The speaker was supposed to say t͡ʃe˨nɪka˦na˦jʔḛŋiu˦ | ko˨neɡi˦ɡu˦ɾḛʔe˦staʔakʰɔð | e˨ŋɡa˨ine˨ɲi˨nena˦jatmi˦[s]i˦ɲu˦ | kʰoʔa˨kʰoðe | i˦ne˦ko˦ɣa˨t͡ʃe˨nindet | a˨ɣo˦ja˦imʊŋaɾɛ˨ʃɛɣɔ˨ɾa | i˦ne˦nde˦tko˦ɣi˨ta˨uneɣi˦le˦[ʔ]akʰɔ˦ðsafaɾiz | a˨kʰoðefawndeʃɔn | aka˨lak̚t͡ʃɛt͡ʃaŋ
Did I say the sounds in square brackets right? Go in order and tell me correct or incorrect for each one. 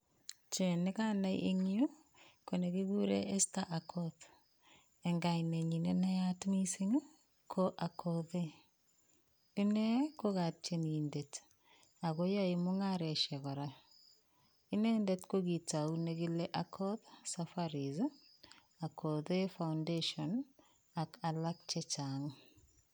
correct, correct

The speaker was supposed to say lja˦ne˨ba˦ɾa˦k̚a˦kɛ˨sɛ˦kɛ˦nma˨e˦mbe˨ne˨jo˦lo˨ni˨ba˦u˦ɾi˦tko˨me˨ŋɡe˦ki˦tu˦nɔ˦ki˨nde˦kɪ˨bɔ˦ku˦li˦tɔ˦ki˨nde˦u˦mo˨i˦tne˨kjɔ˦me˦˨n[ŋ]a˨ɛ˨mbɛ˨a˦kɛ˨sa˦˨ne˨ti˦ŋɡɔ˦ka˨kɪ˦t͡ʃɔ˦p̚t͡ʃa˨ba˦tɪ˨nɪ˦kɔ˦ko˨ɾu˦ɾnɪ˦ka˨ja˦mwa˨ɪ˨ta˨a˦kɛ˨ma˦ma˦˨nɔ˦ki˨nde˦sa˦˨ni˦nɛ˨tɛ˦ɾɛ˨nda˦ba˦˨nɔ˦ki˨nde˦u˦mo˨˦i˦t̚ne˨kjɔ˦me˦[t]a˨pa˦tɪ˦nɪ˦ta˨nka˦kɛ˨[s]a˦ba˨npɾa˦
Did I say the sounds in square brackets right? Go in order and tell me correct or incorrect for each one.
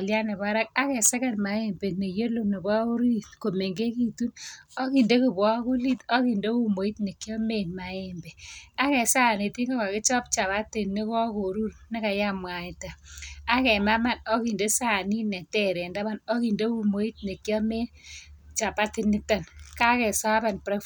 incorrect: m, incorrect: t͡ʃ, correct

